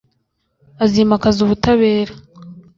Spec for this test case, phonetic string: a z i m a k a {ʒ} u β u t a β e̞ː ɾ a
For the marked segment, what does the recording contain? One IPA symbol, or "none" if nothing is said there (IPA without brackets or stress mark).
z